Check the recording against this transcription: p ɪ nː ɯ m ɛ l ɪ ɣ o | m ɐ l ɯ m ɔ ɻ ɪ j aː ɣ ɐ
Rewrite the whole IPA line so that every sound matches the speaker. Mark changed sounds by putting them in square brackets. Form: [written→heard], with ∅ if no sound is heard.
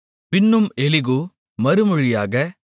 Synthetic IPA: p ɪ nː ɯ m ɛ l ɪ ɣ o | m ɐ [l→ɾ] ɯ m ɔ ɻ ɪ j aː ɣ ɐ

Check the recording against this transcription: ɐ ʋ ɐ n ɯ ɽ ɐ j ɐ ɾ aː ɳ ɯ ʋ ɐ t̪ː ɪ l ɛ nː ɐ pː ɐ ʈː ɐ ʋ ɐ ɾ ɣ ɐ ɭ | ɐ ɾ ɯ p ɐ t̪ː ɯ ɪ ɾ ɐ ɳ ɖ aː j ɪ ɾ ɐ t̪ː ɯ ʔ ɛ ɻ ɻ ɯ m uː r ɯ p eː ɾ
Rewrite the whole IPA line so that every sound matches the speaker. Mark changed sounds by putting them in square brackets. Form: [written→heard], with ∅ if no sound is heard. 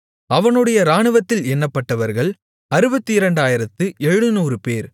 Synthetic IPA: ɐ ʋ ɐ n ɯ ɽ ɐ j ɐ ɾ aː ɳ ɯ ʋ ɐ t̪ː ɪ l ɛ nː ɐ pː ɐ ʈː ɐ ʋ ɐ ɾ ɣ ɐ ɭ | ɐ ɾ ɯ [p→b] ɐ t̪ː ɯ ɪ ɾ ɐ ɳ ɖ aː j ɪ ɾ ɐ t̪ː ɯ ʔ ɛ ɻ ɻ ɯ [m→n] uː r ɯ p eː ɾ

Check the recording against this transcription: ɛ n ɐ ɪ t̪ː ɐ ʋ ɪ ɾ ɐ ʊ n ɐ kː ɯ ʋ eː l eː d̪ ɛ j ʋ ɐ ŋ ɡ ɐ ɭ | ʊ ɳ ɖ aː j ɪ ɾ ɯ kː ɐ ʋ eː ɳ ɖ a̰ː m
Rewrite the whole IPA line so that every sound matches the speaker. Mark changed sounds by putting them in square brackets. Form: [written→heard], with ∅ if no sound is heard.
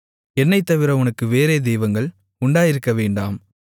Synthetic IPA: ɛ [n→nː] ɐ ɪ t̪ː ɐ ʋ ɪ ɾ ɐ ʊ n ɐ kː ɯ ʋ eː [l→ɾ] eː d̪ ɛ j ʋ ɐ ŋ ɡ ɐ ɭ | ʊ ɳ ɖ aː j ɪ ɾ ɯ kː ɐ ʋ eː ɳ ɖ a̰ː m

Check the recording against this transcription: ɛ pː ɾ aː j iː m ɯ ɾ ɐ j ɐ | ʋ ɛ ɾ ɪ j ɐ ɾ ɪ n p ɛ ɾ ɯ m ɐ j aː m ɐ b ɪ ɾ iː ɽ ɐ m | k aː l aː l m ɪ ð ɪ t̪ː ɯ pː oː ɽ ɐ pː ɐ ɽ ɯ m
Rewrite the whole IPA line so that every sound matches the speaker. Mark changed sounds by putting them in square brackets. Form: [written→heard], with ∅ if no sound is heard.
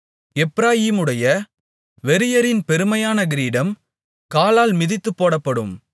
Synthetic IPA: ɛ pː ɾ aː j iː m ɯ [ɾ→ɽ] ɐ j ɐ | ʋ ɛ ɾ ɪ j ɐ ɾ ɪ n p ɛ ɾ ɯ m ɐ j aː [m→n] ɐ [b→ɡ] ɪ ɾ iː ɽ ɐ m | k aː l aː l m ɪ ð ɪ t̪ː ɯ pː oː ɽ ɐ pː ɐ ɽ ɯ m

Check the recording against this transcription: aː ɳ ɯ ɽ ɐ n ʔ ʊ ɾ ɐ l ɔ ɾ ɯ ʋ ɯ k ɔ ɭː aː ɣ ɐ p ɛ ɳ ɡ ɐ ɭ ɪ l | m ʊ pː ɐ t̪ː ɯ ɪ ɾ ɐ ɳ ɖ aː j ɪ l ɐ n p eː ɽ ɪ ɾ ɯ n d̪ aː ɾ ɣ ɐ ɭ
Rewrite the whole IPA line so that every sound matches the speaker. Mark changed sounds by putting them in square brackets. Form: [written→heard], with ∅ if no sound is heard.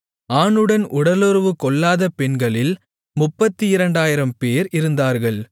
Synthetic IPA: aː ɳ ɯ ɽ ɐ n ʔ ʊ [ɾ→ɽ] ɐ l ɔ ɾ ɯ ʋ ɯ k ɔ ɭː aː [ɣ→ð] ɐ p ɛ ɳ ɡ ɐ ɭ ɪ l | m ʊ pː ɐ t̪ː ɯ ɪ ɾ ɐ ɳ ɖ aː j ɪ [l→ɾ] ɐ [n→m] p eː [ɽ→ɾ] ɪ ɾ ɯ n d̪ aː ɾ ɣ ɐ ɭ

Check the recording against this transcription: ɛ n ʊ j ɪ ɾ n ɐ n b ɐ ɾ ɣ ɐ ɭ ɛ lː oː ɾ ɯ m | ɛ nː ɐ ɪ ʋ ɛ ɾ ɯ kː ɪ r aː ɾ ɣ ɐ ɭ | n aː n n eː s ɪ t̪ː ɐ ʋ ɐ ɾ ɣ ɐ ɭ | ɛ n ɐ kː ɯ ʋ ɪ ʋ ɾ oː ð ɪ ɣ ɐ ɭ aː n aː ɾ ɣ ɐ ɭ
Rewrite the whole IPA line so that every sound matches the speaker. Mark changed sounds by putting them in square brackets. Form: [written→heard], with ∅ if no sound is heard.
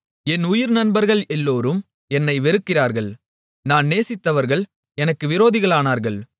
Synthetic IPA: ɛ n ʊ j ɪ ɾ n ɐ n b ɐ ɾ ɣ ɐ ɭ ɛ lː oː ɾ ɯ m | ɛ nː ɐ ɪ ʋ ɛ ɾ ɯ kː ɪ r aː ɾ ɣ ɐ ɭ | n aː n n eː s ɪ t̪ː ɐ ʋ ɐ ɾ ɣ ɐ ɭ | ɛ n ɐ kː ɯ ʋ ɪ [ʋ→∅] ɾ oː ð ɪ ɣ ɐ ɭ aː n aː ɾ ɣ ɐ ɭ

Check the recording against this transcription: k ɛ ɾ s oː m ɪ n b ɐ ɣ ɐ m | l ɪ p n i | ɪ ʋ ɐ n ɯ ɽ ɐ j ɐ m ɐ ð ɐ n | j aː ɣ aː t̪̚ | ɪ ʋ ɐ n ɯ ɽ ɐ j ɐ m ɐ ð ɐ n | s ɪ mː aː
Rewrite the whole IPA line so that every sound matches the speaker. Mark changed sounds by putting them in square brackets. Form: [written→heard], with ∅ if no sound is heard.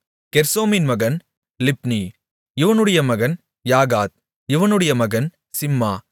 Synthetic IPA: k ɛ ɾ s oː m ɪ n [b→m] ɐ ɣ ɐ [m→n] | l ɪ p n i | ɪ ʋ ɐ n ɯ ɽ ɐ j ɐ m ɐ [ð→ɣ] ɐ n | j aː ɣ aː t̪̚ | ɪ ʋ ɐ n ɯ ɽ ɐ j ɐ m ɐ [ð→ɣ] ɐ n | s ɪ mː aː

